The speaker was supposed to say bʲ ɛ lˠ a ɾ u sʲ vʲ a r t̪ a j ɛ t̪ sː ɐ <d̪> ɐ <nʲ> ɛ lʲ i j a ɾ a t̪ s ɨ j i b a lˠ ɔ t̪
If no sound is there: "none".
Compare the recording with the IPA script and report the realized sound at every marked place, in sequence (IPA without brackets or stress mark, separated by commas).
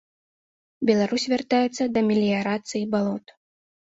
d̪, mʲ